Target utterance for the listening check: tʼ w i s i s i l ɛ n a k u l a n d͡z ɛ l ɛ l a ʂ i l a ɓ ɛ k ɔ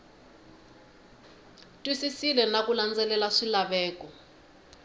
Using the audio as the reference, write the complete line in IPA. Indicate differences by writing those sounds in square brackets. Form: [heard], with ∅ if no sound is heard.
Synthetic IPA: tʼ w i s i s i l ɛ n a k u l a n d͡z ɛ l ɛ l a ʂ i l a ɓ [ɛː] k ɔ